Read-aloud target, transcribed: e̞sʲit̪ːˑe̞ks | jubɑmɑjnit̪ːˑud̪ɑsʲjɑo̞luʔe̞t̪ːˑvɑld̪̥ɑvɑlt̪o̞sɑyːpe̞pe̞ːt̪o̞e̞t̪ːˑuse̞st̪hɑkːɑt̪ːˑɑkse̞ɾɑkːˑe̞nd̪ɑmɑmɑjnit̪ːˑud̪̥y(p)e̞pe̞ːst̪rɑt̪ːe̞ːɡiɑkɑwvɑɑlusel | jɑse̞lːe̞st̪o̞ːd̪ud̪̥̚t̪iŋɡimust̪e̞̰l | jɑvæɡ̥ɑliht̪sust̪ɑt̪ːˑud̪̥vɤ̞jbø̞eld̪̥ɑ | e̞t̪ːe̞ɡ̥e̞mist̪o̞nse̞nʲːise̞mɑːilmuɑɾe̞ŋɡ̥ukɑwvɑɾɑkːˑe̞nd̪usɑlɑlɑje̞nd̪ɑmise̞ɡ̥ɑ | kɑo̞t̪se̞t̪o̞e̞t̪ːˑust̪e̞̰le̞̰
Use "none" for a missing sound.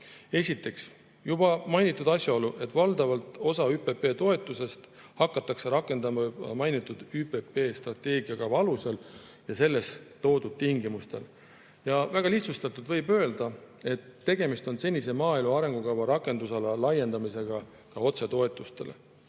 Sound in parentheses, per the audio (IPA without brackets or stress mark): p